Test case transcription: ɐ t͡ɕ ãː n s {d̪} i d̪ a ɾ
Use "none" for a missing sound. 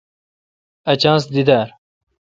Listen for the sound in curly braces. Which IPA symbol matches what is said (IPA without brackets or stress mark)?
d̪